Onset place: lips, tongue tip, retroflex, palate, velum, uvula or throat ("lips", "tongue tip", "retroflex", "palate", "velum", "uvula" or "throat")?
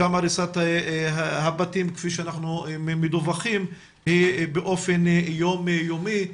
lips